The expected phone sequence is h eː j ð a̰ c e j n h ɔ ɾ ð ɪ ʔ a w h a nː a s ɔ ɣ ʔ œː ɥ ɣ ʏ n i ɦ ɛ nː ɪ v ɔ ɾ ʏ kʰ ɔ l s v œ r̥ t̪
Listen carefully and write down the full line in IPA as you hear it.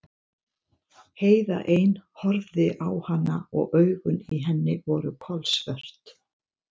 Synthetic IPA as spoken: h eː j ð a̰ ʔ e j n h ɔ ɾ ð ɪ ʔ a w h a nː a ɔ ɣ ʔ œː ɥ ɣ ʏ n i ɦ ɛ nː ɪ v ɔ ɾ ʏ kʰ ɔ l s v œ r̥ t̪

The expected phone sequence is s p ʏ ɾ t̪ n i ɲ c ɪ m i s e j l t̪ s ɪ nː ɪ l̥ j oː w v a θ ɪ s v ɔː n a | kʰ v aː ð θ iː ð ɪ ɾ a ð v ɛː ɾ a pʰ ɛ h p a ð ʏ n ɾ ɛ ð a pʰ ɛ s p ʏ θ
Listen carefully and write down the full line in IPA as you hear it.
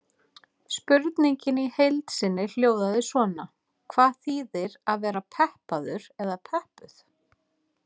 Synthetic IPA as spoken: s p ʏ ɾ t̪ n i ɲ c ɪ n i h e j l t̪ s ɪ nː ɪ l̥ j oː w ð a ð ɪ s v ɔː n a | kʰ v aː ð θ iː ð ɪ ɾ a ð v ɛː ɾ a pʰ ɛ h p a ð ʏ ɾ ɛ ð a pʰ ɛ h p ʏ θ

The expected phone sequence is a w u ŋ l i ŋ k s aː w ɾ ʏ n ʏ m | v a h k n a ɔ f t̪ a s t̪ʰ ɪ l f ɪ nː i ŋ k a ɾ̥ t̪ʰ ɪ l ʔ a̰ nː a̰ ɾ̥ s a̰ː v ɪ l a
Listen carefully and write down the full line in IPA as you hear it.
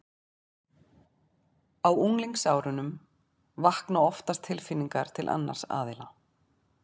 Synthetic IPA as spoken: a w u ŋ l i ŋ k s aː w ɾ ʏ n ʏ m | v a h k n a ɔ f t̪ a s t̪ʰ ɪ l f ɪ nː i ŋ k a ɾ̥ t̪ʰ ɪ l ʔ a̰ nː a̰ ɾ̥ s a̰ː ð ɪ l a

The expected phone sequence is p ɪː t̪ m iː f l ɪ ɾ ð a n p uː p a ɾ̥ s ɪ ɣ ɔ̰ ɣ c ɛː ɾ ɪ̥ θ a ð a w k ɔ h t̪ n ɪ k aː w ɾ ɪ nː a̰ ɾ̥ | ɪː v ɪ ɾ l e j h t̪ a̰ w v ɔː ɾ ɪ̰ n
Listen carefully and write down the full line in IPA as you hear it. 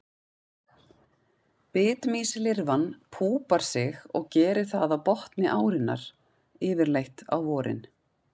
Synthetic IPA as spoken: p ɪː t̪ m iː s l ɪ ɾ v a n pʰ uː p a ɾ̥ s ɪ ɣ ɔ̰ ɣ c ɛː ɾ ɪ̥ θ a ð a w p ɔ h t̪ n ɪ ʔ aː w ɾ ɪ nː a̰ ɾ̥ | ɪː v ɪ ɾ l e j h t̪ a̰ w v ɔː ɾ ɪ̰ n

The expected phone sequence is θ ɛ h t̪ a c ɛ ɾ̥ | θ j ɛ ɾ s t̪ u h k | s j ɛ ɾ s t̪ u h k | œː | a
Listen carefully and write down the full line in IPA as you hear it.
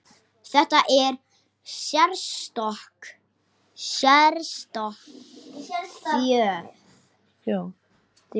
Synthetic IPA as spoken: θ ɛ h t̪ a ʔ ɛ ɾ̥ | s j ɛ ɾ s t̪ ɔ h k | s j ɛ ɾ s t̪ ɔ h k | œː | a

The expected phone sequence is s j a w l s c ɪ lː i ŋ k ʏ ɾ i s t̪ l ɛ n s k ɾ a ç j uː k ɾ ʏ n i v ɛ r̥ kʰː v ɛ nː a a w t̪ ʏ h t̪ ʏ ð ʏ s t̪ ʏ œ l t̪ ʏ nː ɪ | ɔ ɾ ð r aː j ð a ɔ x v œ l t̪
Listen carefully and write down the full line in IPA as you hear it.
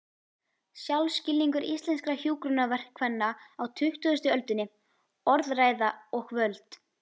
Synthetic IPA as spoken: s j a w l s c ɪ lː i ŋ k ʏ ɾ i s t̪ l ɛ n s k ɾ a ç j uː k ɾ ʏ n a v ɛ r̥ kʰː v ɛ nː a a w t̪ʰ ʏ h t̪ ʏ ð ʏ s t̪ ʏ œ l t̪ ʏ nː ɪ | ɔ ɾ ð r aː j ð a ɔ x v œ l t̪

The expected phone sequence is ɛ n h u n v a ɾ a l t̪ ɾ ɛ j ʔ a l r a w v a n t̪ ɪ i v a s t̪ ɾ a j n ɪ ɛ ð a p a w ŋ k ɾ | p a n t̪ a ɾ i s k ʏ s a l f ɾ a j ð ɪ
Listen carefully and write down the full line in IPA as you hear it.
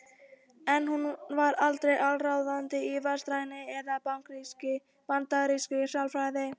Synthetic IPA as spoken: ɛ n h u n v a ɾ a l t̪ ɾ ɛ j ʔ a l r a w ð a n t̪ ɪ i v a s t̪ ɾ a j n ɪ ɛ ð a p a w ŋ k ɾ | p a n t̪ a ɾ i s k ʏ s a l f ɾ a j ð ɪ

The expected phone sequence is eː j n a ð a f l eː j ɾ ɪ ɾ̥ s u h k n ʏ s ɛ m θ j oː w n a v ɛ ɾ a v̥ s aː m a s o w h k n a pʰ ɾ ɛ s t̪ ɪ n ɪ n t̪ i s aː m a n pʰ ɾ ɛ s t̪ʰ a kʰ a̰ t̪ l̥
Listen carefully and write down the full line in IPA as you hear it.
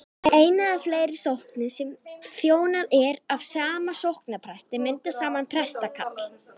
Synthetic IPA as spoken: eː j n a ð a f l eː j ɾ ɪ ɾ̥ s o h k n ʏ s ɛ m θ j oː w n a ð ɛ ɾ a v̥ s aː m a s o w h k n a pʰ ɾ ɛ s t̪ ɪ m ɪ n t̪ a s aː m a n pʰ ɾ ɛ s t̪ a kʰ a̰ t̪ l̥

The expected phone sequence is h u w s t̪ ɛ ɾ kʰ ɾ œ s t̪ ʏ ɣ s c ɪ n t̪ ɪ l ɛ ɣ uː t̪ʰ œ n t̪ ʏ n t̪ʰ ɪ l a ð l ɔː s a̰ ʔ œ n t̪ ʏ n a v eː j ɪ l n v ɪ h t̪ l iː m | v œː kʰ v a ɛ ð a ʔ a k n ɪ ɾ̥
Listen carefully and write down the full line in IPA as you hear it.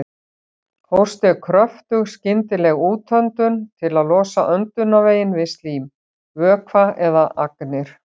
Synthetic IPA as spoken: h o w s t̪ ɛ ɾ kʰ ɾ œ f t̪ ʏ ɣ s c ɪ n t̪ ɪ l ɛ ɣ uː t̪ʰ œ n t̪ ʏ n t̪ʰ ɪ l a ð l ɔː s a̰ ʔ œ n t̪ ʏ n a v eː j ɪ n v ɪ s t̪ l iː m | v œː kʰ v a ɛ ð a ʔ a k n ɪ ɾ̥

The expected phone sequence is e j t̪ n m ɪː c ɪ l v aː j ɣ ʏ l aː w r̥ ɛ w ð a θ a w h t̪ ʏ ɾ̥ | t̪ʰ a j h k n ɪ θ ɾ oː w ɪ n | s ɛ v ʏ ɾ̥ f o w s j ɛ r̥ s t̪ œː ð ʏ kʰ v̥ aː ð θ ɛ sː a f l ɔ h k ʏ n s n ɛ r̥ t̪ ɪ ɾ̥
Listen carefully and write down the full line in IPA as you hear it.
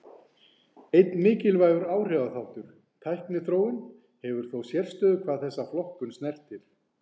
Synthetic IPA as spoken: e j t̪ n m ɪː c ɪ l v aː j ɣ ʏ ɾ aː w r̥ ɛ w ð a θ a w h t̪ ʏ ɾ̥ | t̪ʰ a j h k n ɪ θ ɾ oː w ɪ n | h ɛ v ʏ ɾ̥ θ o w s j ɛ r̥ s t̪ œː ð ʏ kʰ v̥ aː ð θ ɛ sː a f l ɔ h k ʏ n s n ɛ r̥ t̪ ɪ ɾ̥

